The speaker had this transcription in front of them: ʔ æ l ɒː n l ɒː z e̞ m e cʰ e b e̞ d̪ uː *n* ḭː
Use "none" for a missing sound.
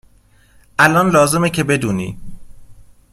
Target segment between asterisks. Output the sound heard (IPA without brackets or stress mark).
n